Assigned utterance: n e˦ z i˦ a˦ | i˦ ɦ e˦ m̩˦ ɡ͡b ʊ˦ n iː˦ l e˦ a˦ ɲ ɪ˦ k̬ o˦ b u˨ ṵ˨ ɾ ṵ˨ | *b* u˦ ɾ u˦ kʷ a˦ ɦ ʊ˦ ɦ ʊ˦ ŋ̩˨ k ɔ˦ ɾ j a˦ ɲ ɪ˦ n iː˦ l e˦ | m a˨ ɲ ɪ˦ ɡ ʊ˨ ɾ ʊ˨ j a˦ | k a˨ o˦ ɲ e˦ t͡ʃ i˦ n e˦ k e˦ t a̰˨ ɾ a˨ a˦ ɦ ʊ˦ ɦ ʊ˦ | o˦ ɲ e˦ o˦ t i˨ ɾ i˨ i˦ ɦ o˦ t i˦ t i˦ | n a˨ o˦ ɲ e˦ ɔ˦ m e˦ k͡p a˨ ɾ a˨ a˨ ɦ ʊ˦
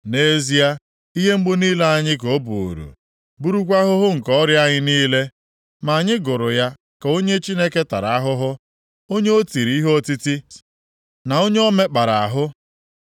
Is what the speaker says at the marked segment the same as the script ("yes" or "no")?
yes